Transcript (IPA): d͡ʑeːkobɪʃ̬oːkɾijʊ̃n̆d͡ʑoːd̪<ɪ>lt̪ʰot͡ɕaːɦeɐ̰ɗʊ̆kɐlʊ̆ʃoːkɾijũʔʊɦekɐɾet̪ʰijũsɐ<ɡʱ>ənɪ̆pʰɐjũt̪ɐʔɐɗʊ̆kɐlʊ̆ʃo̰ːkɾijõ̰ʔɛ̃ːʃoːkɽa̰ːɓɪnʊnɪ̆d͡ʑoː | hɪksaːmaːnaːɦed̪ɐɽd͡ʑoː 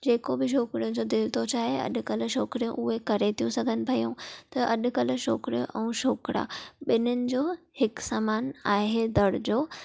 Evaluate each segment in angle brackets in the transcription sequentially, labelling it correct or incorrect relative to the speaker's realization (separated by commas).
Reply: correct, correct